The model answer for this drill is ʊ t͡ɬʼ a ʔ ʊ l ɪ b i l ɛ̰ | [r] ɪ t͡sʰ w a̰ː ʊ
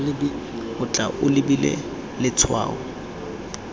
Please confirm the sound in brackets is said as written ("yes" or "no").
no